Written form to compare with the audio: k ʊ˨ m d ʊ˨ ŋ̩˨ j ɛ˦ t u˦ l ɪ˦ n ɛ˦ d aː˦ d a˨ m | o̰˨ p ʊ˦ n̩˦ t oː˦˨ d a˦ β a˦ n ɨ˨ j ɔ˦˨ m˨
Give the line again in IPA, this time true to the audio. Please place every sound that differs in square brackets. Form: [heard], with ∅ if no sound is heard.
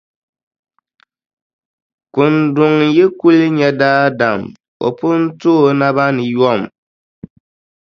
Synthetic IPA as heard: k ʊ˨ [n] d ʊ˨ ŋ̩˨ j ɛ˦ [k] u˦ l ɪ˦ [ɲ] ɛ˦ d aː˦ d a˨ m | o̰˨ p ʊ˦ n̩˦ t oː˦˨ [n] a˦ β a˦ n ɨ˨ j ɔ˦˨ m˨